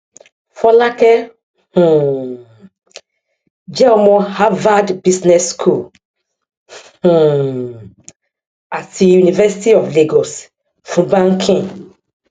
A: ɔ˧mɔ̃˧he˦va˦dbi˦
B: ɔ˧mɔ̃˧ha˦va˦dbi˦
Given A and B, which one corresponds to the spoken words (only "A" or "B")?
B